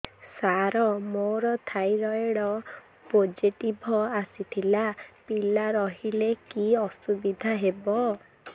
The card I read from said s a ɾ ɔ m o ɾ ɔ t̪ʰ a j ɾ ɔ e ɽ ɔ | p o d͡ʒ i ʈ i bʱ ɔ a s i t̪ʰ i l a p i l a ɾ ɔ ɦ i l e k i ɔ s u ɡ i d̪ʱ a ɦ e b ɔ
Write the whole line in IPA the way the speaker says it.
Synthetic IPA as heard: s a ɾ ɔ m o ɾ ɔ t̪ʰ a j ɾ ɔ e ɽ ɔ | p o d͡ʒ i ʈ i bʱ ɔ a s i t̪ʰ i l a p i l a ɾ ɔ ɦ i l e k i ɔ s u b i d̪ʱ a ɦ e b ɔ